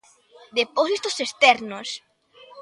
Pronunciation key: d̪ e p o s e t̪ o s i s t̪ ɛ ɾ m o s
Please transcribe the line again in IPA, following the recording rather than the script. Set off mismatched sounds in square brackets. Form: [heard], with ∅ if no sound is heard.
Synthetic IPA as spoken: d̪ e p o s [i] t̪ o s [e] s t̪ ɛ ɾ [n] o s